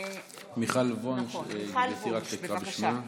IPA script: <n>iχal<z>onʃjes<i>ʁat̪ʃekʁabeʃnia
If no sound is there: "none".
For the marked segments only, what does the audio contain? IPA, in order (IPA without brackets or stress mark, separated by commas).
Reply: m, v, i